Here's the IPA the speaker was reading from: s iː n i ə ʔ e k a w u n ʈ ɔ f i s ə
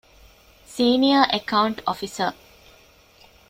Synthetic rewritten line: s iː n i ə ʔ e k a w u ɳ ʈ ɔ f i s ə